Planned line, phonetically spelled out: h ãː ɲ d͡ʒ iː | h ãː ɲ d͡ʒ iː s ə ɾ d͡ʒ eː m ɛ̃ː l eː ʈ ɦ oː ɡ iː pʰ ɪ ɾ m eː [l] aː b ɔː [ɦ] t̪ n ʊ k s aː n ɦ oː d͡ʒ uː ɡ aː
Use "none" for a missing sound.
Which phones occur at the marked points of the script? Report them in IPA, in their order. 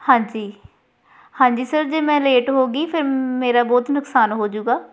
ɾ, none

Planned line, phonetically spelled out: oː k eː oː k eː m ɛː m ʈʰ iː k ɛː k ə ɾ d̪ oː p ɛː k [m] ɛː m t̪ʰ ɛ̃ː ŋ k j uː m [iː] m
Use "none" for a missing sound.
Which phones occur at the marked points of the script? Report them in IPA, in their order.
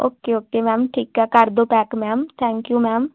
m, ɛː

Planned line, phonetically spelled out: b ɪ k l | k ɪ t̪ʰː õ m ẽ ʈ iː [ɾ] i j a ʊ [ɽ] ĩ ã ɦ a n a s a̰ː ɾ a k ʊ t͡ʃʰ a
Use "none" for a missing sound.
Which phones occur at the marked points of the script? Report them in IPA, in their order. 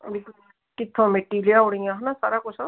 l, ɽ

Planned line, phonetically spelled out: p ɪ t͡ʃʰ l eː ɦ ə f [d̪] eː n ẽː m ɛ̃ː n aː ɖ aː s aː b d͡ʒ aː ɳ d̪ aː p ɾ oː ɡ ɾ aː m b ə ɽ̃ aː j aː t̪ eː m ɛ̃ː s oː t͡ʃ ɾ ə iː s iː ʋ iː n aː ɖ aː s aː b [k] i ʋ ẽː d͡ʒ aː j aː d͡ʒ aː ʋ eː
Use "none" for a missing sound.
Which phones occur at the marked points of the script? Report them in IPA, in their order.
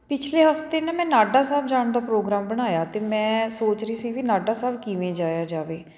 t̪, k

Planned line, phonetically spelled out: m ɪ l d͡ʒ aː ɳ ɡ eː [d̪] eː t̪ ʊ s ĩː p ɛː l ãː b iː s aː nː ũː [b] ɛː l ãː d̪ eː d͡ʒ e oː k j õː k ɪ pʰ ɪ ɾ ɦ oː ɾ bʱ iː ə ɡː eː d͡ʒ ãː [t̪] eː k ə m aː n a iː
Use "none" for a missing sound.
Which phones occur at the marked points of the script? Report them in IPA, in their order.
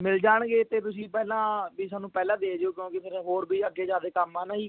t̪, p, d̪

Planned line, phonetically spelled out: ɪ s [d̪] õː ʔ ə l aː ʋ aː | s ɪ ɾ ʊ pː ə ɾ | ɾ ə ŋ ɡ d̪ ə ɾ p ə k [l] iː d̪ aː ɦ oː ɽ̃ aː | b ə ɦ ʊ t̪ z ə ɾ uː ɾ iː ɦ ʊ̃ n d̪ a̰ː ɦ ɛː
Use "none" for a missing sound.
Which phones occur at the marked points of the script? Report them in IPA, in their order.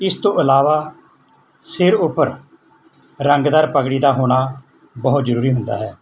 t̪, ɽ

